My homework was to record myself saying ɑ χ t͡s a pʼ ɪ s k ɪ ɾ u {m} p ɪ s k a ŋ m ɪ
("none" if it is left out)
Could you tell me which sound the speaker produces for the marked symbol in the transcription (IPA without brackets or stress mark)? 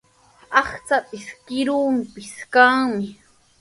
m